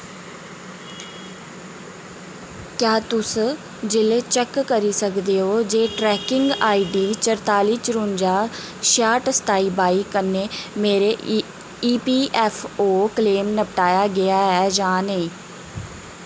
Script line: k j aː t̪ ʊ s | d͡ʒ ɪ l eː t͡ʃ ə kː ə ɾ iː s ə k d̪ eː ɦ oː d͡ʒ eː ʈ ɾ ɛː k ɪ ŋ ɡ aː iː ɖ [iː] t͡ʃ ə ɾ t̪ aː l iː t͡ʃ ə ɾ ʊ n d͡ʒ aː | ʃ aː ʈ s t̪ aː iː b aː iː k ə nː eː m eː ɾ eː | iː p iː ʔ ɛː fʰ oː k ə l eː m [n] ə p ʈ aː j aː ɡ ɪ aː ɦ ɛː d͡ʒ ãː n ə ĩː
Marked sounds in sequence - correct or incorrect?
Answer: correct, correct

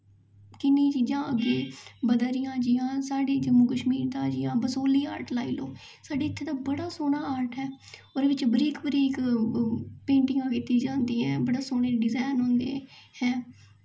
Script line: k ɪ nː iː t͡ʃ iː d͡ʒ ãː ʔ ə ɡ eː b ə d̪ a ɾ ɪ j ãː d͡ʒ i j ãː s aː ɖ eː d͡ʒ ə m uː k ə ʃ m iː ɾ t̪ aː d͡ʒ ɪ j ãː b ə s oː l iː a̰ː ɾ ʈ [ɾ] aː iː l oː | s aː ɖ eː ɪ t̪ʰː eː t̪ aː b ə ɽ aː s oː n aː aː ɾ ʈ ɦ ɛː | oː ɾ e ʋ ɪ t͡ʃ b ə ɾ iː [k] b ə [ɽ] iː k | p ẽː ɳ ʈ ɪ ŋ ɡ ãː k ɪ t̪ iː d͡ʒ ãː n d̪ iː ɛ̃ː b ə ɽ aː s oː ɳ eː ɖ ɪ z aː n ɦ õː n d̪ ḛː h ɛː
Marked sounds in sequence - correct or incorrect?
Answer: incorrect: l, correct, incorrect: ɾ

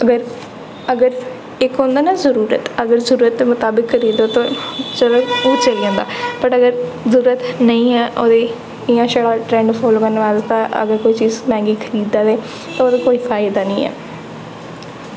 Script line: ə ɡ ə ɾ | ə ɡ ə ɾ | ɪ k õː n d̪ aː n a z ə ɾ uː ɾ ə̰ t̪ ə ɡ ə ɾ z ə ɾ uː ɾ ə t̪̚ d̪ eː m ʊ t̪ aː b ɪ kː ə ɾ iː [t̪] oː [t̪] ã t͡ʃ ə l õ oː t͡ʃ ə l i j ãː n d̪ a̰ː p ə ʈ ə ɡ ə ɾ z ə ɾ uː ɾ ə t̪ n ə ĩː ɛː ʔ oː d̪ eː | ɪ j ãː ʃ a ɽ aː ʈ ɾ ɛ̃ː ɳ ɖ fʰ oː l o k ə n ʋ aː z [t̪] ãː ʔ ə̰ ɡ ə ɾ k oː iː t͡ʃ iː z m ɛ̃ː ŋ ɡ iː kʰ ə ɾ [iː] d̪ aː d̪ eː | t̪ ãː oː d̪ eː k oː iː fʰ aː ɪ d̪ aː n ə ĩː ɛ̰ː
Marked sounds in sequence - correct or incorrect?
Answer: incorrect: d̪, correct, correct, correct

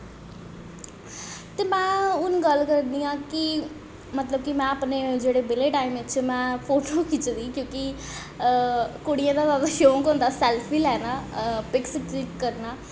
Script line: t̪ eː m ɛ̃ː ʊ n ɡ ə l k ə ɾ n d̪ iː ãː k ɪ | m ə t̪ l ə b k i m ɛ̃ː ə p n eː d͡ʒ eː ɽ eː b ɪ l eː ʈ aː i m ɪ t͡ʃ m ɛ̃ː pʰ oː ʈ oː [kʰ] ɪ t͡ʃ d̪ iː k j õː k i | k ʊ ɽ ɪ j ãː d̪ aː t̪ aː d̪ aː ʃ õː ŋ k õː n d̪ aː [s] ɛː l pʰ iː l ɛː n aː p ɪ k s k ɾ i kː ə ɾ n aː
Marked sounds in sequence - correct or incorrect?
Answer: incorrect: k, correct

